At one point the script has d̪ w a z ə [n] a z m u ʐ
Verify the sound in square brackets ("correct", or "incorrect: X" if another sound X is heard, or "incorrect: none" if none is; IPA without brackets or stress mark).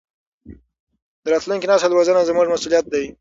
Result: correct